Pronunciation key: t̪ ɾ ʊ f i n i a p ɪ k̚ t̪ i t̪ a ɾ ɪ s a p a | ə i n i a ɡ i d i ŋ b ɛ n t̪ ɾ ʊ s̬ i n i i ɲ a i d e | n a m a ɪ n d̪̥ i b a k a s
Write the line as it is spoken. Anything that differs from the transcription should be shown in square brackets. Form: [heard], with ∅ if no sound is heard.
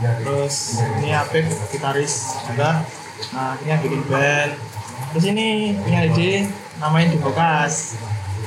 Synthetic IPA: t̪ ɾ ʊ [s] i n i a p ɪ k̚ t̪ i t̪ a ɾ ɪ s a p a | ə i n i a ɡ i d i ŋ b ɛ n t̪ ɾ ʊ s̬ i n i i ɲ a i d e | n a m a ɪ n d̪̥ i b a k a s